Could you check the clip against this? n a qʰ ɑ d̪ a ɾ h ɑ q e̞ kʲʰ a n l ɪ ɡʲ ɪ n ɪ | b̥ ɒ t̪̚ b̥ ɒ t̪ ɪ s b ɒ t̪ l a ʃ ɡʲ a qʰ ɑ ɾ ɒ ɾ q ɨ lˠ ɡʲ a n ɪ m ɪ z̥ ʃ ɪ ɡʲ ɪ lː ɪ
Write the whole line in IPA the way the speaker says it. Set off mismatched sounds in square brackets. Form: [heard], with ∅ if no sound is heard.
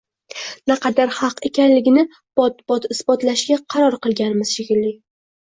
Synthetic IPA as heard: n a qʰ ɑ d̪ a ɾ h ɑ q e̞ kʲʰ a n l ɪ ɡʲ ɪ n ɪ | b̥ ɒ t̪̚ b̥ ɒ t̪ ɪ s b ɒ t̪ l a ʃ ɡʲ a qʰ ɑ ɾ ɒ ɾ q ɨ lˠ ɡʲ a n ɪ m ɪ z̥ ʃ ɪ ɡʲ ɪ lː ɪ